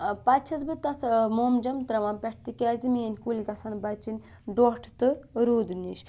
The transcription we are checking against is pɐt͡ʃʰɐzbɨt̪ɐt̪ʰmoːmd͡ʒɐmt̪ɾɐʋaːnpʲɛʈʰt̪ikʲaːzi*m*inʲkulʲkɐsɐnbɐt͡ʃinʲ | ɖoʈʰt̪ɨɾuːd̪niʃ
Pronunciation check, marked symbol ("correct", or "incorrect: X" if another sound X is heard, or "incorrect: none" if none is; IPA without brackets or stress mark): correct